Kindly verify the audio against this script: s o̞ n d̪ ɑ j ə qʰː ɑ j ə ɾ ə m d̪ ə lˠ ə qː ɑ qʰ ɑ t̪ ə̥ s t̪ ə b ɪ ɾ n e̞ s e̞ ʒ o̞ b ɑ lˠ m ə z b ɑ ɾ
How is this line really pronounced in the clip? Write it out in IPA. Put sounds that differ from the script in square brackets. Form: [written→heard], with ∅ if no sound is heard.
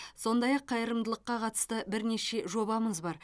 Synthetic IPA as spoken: s o̞ n d̪ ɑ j [ə→ɑ] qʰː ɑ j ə ɾ ə m d̪ ə lˠ ə qː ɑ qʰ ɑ t̪ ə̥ s t̪ ə b ɪ ɾ n e̞ [s→ʃ] e̞ ʒ o̞ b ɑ [lˠ→∅] m ə z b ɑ ɾ